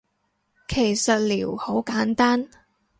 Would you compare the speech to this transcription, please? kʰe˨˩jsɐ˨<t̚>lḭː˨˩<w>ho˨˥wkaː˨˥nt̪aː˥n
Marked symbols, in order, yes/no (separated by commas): yes, yes